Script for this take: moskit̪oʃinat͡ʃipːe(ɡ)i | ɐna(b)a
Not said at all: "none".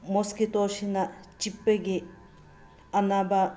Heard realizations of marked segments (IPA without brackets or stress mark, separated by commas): ɡ, b